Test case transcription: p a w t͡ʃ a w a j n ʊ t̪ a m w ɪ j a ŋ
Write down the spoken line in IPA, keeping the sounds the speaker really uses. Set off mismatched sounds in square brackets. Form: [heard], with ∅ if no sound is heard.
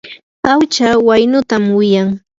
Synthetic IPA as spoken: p a w t͡ʃ a w a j n ʊ t̪ a m w ɪ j a ŋ